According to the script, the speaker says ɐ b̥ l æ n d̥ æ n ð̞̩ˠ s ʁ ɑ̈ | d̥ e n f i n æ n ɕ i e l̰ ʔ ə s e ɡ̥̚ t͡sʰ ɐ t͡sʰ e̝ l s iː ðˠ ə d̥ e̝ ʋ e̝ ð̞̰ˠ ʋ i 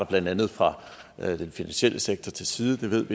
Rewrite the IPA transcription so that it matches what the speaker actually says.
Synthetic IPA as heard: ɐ b̥ l æ n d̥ æ n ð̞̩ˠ f ʁ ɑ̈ | d̥ e n f i n æ n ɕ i e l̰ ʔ ə s e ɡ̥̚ t͡sʰ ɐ t͡sʰ e̝ l s iː ðˠ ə d̥ e̝ ʋ e̝ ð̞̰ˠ ʋ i